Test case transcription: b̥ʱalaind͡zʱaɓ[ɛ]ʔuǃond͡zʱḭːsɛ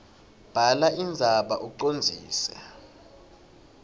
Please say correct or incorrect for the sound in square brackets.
incorrect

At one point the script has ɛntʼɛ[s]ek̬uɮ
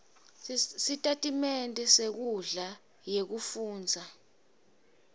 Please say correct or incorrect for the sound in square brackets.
correct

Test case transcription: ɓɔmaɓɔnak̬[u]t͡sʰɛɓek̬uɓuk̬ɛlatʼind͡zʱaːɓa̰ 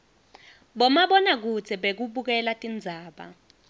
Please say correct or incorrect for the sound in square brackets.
correct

